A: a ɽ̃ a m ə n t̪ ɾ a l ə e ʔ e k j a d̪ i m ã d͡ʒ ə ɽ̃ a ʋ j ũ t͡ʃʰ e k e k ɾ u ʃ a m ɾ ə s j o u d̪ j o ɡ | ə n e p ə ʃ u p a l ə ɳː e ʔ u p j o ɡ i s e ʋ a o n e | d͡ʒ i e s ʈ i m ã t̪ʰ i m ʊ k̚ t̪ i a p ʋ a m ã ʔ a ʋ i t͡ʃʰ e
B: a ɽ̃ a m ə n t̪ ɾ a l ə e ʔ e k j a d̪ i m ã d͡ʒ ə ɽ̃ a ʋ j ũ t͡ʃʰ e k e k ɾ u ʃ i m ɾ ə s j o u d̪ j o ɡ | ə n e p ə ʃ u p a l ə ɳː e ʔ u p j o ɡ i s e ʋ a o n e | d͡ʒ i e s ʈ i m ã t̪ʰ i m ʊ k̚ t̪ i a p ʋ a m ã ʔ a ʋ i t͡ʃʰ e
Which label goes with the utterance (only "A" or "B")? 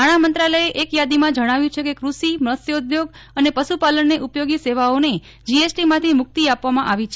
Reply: B